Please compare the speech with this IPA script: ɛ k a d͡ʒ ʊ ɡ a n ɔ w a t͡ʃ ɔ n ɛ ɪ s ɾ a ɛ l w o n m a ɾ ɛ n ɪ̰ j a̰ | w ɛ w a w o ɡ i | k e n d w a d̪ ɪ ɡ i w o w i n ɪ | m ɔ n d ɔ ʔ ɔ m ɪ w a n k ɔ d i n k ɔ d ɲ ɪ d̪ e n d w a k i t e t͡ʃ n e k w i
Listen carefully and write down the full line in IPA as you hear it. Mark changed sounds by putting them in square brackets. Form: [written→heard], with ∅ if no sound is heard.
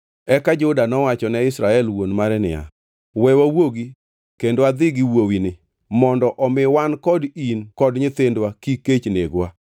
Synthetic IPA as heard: ɛ k a d͡ʒ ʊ [ɡ→d] a n ɔ w a t͡ʃ ɔ n ɛ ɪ s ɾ a ɛ l w o n m a ɾ ɛ n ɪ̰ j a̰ | w ɛ w a w o ɡ i | k e n d w a d̪ ɪ ɡ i w o w i n ɪ | m ɔ n d ɔ ʔ ɔ m ɪ w a n k ɔ d i n k ɔ d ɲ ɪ [d̪→t̪] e n d w a k i [t→k] e t͡ʃ n e [k→ɡ] w [i→a]